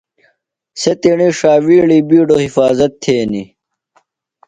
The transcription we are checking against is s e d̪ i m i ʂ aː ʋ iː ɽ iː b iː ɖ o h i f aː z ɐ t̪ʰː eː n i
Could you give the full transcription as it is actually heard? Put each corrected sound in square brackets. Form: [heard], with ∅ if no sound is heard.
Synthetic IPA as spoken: s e [t̪] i [ɳ] i ʂ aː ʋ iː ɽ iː b iː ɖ o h i f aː z ɐ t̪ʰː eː n i